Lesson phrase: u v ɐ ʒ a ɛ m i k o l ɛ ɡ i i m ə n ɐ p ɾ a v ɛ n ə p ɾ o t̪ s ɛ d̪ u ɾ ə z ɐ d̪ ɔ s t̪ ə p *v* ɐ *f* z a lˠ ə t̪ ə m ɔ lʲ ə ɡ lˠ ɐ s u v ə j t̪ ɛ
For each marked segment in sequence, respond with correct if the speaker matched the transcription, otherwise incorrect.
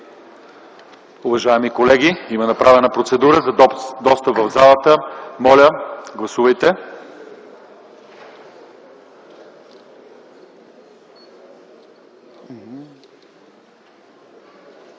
correct, incorrect: v

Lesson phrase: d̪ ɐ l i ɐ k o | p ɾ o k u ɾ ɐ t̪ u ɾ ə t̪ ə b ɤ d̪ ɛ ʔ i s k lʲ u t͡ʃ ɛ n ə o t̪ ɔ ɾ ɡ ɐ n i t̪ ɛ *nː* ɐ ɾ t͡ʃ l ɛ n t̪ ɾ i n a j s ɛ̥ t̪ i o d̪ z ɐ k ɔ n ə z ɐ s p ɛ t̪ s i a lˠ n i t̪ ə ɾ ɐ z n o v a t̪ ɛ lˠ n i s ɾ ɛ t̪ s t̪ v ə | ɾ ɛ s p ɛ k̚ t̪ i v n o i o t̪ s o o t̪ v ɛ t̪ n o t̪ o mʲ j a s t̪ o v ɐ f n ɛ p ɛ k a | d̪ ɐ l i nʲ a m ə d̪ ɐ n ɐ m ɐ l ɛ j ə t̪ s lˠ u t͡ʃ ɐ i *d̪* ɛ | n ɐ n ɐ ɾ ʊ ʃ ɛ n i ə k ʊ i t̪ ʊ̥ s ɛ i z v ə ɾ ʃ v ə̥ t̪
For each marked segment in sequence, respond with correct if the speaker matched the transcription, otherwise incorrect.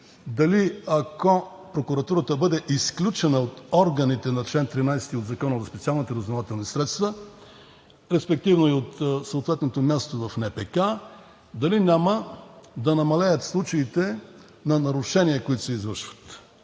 incorrect: n, incorrect: t̪

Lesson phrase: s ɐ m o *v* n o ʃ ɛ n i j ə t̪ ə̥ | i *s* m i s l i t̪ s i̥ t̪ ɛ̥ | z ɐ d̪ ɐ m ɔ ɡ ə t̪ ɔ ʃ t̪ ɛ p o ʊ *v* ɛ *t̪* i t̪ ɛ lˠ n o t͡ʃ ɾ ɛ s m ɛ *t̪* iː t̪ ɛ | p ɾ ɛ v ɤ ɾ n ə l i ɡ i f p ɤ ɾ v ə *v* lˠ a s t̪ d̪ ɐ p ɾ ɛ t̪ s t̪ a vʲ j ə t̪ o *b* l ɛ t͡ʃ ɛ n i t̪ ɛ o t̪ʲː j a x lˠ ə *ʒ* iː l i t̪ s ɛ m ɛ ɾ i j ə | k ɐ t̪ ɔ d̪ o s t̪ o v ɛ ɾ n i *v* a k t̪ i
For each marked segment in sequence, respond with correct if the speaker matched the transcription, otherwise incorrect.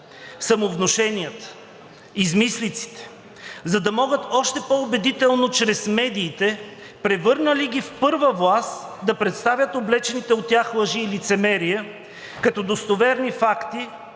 correct, incorrect: z, incorrect: b, incorrect: d̪, incorrect: d̪, correct, correct, correct, incorrect: f

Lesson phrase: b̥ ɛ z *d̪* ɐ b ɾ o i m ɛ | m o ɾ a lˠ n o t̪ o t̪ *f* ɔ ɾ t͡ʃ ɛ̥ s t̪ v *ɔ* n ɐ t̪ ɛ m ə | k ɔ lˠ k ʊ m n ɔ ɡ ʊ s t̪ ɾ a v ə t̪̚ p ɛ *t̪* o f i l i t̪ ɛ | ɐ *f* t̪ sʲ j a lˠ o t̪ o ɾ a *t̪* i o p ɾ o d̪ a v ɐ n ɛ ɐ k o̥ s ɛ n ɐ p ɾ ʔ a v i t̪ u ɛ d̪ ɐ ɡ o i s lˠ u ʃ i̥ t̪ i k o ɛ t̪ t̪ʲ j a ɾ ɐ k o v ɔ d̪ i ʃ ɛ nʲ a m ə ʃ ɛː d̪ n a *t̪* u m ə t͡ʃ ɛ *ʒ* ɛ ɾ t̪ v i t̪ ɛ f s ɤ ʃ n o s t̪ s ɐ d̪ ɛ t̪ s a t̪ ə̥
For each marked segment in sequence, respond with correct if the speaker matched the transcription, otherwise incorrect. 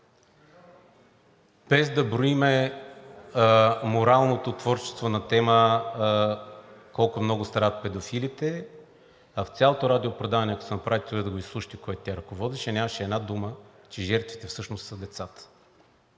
correct, incorrect: v, incorrect: o, incorrect: d̪, correct, incorrect: d̪, incorrect: d̪, correct

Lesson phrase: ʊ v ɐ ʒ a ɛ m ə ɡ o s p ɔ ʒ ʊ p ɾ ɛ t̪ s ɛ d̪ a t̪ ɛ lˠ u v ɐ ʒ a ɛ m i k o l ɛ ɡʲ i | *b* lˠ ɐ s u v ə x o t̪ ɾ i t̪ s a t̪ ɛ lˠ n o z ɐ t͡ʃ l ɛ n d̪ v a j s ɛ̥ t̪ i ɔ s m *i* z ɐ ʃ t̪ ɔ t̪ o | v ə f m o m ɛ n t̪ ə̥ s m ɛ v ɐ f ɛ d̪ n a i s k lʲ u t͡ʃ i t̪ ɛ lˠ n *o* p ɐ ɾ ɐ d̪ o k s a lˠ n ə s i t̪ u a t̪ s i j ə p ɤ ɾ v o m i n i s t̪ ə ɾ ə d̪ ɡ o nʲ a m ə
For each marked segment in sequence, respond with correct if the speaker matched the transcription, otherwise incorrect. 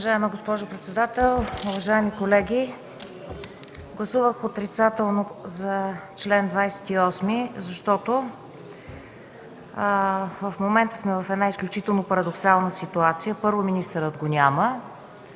incorrect: ɡ, correct, correct

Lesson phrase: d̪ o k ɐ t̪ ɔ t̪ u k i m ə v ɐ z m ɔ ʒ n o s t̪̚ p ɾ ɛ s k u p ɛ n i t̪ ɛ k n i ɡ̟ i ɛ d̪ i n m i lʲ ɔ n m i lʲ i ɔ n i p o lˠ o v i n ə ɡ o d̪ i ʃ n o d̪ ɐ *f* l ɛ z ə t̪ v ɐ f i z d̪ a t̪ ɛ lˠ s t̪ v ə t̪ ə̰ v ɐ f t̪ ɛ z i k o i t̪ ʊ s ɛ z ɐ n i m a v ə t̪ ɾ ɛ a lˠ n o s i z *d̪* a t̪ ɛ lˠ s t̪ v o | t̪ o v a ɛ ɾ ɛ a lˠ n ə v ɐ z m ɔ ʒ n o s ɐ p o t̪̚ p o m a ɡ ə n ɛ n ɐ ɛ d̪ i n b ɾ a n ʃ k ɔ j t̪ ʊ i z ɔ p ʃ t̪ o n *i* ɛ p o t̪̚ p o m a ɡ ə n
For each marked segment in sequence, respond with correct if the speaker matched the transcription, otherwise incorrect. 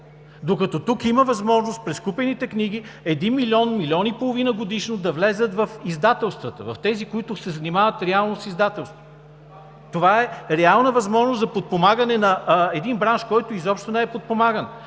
incorrect: v, correct, incorrect: ɛ

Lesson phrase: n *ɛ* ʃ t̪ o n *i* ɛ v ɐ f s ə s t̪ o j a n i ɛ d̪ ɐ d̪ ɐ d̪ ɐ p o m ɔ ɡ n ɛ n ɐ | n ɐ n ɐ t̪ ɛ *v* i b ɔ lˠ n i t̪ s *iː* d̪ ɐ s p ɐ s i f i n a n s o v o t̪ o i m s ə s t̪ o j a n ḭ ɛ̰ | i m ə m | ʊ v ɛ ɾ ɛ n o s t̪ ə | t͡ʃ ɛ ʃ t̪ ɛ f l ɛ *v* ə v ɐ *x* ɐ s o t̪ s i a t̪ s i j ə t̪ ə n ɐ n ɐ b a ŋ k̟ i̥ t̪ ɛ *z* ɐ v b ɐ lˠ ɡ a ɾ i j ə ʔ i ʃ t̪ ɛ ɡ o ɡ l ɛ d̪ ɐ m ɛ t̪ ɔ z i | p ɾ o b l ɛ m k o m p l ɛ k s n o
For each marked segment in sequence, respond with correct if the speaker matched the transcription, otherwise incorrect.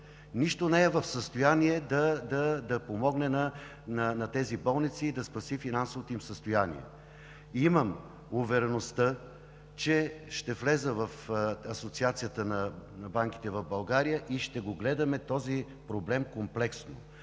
incorrect: i, incorrect: ɛ, incorrect: z, correct, incorrect: z, incorrect: f, incorrect: v

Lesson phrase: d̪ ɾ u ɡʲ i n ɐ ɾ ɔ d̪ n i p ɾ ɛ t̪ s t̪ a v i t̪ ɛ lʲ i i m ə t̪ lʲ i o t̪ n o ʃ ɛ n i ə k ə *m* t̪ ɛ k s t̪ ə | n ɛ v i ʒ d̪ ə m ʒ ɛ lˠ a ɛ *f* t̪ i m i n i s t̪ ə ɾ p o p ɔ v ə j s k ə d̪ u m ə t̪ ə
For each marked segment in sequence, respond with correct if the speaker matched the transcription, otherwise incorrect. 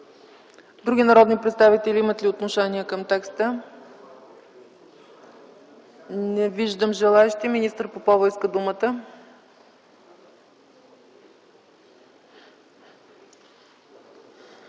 correct, incorrect: ʃ

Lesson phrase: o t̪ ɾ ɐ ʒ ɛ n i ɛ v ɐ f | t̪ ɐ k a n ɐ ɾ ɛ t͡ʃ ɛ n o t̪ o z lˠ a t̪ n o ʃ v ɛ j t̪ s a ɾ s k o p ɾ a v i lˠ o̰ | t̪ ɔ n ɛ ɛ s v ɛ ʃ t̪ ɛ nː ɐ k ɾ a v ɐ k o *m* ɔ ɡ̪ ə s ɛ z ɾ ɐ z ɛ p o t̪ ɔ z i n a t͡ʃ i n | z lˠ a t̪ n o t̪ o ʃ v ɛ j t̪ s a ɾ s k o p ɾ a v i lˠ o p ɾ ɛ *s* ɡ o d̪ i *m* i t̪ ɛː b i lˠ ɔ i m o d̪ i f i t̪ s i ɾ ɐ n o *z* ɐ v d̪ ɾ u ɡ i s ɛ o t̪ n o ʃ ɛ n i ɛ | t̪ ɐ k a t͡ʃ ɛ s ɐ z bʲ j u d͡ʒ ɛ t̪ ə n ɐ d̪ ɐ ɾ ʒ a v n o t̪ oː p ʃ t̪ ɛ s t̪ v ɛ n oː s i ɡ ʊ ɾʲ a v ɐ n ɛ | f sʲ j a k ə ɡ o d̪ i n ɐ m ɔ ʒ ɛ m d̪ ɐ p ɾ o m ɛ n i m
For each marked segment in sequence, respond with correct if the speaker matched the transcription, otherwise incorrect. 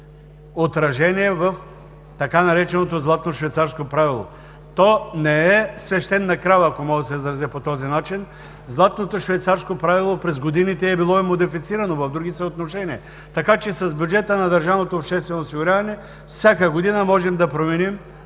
correct, incorrect: z, incorrect: n, incorrect: v

